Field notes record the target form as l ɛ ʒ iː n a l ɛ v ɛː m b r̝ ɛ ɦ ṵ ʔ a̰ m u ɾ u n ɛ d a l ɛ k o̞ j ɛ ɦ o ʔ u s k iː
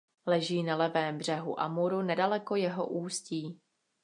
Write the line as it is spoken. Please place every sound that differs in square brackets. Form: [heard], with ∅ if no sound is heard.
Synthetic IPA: l ɛ ʒ iː n a l ɛ v ɛː m b r̝ ɛ ɦ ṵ ʔ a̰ m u ɾ u n ɛ d a l ɛ k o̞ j ɛ ɦ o ʔ [uː] s [c] iː